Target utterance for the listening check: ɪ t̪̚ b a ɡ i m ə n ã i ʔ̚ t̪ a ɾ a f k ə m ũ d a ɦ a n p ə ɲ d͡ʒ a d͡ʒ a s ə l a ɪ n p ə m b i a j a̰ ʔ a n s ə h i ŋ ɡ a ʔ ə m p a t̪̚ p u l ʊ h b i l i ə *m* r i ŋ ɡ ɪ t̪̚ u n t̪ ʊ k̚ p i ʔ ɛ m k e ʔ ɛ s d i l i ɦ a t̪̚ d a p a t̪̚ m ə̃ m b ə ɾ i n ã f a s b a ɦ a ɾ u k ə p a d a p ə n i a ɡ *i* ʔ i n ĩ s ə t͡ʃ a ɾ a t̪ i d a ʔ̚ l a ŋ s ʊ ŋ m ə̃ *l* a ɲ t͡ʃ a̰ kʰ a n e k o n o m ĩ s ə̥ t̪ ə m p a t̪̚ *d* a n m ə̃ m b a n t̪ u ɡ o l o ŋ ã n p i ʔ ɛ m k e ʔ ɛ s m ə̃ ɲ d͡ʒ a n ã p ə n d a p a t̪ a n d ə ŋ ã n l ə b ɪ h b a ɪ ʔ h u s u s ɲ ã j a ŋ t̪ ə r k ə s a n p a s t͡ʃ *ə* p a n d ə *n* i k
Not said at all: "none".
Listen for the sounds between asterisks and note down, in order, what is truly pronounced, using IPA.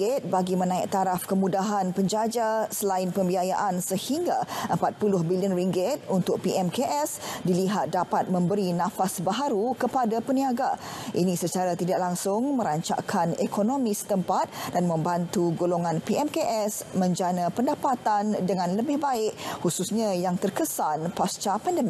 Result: n, a, ɾ, d, a, m

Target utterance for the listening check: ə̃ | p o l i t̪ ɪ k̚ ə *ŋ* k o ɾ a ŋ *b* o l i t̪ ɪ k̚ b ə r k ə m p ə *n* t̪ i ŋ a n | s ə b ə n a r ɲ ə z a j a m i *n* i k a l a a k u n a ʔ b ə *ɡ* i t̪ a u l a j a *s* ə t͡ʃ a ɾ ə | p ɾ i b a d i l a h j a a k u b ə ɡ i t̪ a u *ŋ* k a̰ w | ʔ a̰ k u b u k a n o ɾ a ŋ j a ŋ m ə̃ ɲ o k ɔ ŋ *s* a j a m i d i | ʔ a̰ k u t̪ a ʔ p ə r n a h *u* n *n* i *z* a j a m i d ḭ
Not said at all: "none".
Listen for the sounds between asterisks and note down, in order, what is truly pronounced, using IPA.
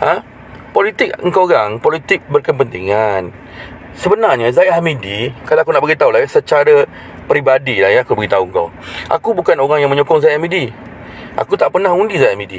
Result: ŋ, p, n, d, ɡ, s, ŋ, z, u, d, z

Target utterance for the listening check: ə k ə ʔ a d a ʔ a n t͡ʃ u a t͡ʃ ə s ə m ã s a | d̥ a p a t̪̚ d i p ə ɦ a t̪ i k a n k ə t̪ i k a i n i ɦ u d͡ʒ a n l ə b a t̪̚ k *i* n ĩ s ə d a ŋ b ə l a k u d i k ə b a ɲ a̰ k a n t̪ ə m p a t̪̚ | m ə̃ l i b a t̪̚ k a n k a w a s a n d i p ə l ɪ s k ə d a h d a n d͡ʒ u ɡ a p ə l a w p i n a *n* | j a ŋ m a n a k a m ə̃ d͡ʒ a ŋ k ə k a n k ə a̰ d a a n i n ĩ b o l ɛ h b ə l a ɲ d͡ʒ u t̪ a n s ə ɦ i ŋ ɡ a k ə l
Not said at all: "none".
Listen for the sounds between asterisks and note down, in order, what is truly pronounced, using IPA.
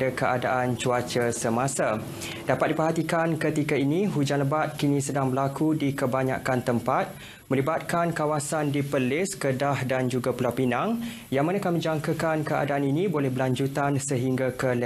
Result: i, ŋ

